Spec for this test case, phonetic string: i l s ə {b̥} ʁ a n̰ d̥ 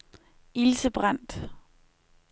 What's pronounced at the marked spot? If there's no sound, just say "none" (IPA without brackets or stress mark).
b̥